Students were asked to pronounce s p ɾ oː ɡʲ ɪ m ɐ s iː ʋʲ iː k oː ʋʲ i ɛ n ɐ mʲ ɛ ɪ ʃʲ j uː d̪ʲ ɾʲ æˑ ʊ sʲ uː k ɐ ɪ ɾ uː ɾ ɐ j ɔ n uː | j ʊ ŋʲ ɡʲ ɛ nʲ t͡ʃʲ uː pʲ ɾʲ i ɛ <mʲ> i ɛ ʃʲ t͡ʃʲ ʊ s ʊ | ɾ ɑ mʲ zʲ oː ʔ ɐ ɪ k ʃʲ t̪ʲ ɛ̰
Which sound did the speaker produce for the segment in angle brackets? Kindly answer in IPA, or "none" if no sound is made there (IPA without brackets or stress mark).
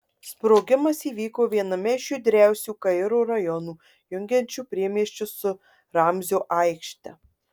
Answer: mʲ